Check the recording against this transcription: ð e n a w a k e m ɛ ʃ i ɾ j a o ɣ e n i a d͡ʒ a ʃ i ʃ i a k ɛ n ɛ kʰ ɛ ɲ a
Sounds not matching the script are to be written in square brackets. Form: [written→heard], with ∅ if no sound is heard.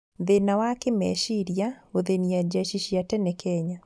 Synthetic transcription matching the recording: ð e n a w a k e m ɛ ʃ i ɾ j a o [ɣ→ð] e n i a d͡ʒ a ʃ i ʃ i a [k→t] ɛ n ɛ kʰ ɛ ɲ a